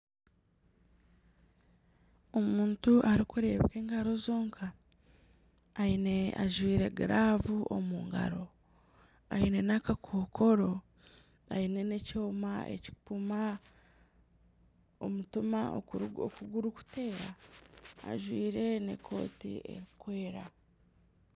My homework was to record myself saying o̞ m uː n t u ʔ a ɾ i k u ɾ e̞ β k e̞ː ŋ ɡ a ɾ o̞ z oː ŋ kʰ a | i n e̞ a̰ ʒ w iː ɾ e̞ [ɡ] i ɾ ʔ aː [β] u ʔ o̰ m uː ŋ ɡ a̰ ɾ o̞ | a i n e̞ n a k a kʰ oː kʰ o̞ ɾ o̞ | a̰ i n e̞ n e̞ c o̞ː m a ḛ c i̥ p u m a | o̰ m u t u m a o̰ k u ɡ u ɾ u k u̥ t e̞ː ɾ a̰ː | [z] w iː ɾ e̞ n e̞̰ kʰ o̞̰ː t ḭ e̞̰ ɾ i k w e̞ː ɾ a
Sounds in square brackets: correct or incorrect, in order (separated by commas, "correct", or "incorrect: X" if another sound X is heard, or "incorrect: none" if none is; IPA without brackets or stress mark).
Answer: correct, incorrect: v, incorrect: ʒ